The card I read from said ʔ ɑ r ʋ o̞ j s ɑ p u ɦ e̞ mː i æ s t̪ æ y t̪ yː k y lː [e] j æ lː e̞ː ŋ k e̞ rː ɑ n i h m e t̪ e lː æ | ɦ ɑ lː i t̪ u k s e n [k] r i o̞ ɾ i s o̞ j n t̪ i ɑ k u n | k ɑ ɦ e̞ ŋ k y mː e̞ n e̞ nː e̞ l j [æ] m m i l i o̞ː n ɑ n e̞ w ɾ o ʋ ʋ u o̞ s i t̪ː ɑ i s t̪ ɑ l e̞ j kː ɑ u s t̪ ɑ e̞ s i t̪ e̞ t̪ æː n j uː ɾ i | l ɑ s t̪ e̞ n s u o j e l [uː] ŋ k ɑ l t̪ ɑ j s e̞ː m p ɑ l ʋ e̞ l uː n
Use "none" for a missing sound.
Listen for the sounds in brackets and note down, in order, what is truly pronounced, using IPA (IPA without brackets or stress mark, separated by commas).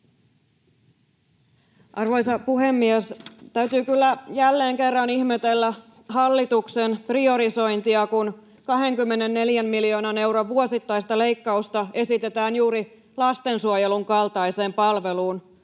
æ, p, æ, u